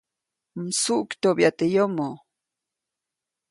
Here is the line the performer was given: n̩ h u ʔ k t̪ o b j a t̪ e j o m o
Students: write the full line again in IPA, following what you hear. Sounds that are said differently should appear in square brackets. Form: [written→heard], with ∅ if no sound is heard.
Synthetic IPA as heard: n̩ [h→s] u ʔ k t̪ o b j a t̪ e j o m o